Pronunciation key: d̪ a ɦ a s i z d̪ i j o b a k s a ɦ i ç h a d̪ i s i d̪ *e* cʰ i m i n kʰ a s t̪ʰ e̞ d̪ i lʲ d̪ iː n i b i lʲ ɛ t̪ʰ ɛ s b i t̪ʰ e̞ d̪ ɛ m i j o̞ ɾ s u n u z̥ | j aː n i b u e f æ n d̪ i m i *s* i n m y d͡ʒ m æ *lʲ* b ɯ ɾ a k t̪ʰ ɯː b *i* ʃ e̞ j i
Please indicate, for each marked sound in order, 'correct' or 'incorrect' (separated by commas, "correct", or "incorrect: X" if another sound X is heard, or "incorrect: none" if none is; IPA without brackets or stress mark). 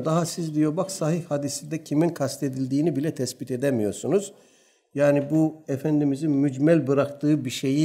incorrect: ɛ, incorrect: z, correct, correct